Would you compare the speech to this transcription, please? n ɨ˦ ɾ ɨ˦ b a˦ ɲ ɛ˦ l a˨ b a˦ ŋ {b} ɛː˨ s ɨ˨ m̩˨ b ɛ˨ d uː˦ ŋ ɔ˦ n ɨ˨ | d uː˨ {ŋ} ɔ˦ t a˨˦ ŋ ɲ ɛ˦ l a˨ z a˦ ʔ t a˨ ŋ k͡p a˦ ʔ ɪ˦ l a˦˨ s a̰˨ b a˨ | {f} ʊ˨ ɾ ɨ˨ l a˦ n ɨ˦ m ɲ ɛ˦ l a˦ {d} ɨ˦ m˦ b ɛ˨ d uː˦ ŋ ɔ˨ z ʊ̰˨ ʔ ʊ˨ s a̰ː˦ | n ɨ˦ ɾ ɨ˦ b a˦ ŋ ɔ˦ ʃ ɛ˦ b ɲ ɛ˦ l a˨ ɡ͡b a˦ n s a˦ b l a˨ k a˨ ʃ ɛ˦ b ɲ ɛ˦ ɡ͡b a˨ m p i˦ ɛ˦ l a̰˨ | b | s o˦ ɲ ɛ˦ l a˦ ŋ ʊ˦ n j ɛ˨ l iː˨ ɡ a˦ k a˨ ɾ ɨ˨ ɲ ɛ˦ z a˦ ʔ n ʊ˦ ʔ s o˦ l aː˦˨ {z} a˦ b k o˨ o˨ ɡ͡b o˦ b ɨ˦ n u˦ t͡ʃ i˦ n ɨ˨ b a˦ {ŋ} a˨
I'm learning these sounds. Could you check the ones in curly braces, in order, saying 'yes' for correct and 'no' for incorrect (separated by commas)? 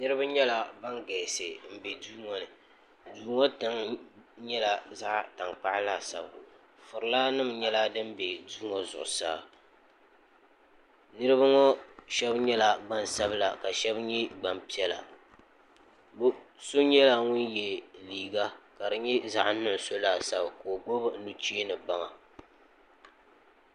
no, yes, yes, yes, no, yes